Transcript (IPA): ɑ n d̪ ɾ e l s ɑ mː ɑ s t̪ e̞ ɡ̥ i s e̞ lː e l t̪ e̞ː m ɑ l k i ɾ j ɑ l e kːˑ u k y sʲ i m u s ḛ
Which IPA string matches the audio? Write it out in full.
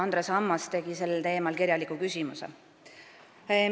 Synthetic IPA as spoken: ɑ n d̪ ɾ e s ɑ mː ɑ s t̪ e̞ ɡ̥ i s e̞ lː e l t̪ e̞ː m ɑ l k i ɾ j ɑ l i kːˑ u k y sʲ i m u s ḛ